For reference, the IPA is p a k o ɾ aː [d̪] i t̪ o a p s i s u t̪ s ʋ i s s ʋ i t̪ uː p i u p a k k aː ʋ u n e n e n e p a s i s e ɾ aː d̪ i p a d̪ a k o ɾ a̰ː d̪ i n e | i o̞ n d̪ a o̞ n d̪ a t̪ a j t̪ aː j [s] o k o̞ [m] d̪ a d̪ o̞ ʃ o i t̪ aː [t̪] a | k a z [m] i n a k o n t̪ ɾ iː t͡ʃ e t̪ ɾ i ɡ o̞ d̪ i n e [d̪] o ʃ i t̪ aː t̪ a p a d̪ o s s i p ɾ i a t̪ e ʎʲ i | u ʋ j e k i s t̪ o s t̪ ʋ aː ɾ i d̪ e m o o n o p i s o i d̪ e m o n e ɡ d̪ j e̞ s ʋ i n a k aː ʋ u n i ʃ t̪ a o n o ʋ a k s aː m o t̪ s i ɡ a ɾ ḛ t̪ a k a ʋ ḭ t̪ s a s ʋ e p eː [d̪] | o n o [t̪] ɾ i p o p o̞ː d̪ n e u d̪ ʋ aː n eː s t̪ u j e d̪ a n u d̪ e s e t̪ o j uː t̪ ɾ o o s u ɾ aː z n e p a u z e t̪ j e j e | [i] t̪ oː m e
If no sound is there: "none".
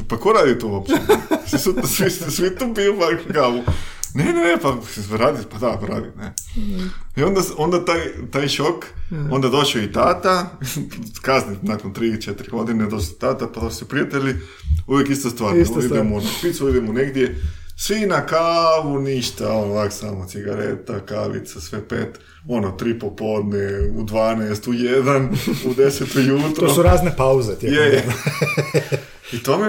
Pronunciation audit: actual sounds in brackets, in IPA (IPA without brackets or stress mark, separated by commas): d̪, ʃ, n, t̪, n, d̪, t̪, t̪, i